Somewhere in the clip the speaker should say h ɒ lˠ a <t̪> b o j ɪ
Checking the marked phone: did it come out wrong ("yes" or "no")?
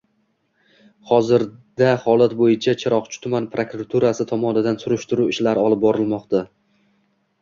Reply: no